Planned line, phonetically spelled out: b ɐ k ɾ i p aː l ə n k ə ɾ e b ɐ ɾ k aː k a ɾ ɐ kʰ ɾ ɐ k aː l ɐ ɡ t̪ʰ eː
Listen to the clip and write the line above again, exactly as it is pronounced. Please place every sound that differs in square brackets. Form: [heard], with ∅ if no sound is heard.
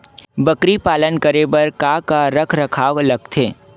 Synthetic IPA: b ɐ k ɾ i p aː l ə n k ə ɾ e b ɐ ɾ k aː k a ɾ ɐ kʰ ɾ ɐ [kʰ] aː l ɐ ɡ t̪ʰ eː